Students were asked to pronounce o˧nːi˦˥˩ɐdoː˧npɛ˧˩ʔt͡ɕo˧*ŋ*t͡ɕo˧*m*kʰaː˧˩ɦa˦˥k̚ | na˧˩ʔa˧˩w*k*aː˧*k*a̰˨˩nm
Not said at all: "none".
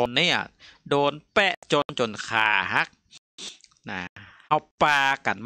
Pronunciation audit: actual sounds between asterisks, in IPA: n, n, p, k

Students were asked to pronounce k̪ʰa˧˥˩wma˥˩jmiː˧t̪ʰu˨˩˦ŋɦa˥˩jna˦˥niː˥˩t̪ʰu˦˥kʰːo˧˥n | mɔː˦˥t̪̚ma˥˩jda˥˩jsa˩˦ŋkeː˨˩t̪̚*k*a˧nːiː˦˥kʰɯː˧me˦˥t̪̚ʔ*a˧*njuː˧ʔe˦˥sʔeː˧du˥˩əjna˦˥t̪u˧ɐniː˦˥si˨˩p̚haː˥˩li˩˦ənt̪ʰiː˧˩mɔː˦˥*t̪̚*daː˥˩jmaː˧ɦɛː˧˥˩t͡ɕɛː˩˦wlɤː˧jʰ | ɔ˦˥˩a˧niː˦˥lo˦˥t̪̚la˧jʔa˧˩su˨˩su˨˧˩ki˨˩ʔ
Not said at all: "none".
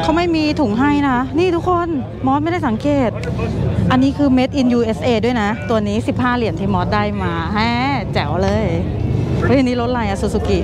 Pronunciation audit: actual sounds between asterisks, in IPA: ʔ, i˧, t̪̚

